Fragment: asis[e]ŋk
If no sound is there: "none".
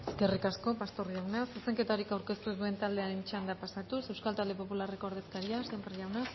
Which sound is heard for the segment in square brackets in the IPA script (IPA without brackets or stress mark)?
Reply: e